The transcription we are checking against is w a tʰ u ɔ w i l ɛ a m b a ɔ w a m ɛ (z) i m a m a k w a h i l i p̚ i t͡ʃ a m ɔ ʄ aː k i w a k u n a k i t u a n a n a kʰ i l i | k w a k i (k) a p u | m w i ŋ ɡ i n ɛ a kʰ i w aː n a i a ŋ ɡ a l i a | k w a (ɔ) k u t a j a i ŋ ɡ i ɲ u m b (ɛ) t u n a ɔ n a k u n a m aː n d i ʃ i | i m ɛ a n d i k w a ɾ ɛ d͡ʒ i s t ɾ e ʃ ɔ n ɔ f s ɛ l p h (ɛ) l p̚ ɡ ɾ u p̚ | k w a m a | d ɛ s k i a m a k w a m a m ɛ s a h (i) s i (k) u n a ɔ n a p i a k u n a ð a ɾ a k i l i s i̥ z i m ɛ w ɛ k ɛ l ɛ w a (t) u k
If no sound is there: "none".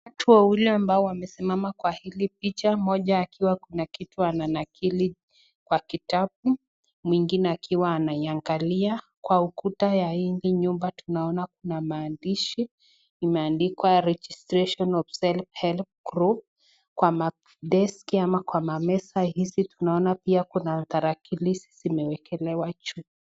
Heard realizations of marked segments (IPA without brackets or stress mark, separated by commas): s, t, u, a, ɛ, i, t, t͡ʃ